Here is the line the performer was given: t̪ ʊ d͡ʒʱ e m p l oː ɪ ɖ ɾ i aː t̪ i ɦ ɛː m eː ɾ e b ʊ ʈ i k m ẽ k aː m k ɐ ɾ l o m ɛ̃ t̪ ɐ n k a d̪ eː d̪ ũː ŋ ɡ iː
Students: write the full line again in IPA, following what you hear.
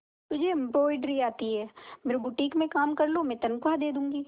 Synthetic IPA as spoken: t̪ ʊ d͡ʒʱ e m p ɾ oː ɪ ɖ ɾ i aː t̪ i ɦ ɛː m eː ɾ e b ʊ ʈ iː k m ẽ k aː m k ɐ ɾ l o m ɛ̃ t̪ ɐ n k a d̪ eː d̪ ũː ŋ ɡ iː